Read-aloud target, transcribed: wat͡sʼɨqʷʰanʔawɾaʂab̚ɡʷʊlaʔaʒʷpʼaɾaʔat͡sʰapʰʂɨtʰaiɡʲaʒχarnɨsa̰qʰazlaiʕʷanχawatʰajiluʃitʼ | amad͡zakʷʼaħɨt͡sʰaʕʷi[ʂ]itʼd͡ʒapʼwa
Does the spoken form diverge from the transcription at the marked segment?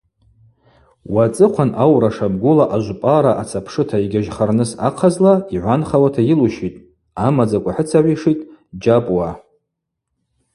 no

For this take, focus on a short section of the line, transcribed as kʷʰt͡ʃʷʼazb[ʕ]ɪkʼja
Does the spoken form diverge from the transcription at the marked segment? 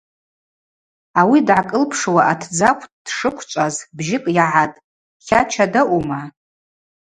yes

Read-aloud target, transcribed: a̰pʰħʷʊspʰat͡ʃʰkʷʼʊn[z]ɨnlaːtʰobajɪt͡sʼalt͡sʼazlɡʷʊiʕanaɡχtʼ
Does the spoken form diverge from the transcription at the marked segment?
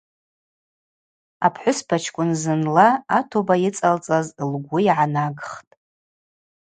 no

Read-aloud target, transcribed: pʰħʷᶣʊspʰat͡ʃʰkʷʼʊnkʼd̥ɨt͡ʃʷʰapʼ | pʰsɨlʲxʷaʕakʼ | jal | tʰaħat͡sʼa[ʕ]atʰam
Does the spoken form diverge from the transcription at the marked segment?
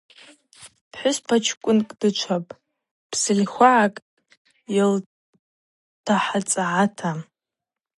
no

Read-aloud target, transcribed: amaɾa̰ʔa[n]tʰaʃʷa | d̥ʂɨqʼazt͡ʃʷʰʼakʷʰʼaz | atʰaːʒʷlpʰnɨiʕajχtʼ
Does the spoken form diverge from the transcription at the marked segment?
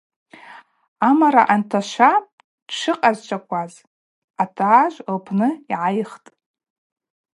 no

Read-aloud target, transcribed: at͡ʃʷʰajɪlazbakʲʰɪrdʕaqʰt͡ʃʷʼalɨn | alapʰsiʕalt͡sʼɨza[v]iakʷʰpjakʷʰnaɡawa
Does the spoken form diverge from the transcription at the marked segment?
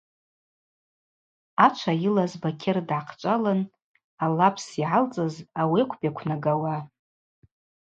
yes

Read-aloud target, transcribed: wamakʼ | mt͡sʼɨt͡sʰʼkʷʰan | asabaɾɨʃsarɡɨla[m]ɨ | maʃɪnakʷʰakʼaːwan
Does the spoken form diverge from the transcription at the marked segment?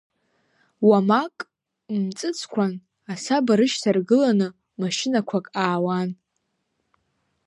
yes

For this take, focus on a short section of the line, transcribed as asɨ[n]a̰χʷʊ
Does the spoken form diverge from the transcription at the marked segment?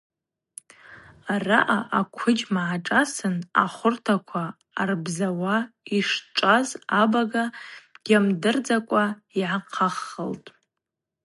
no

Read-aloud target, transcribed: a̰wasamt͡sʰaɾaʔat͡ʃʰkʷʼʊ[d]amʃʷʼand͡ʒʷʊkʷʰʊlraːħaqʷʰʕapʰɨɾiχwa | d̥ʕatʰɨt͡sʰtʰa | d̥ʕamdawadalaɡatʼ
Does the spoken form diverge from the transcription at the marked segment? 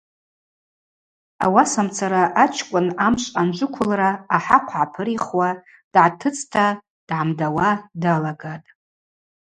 yes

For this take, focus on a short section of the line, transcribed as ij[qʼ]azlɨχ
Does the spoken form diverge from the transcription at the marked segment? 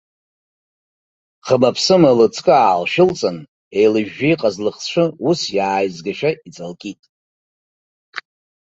no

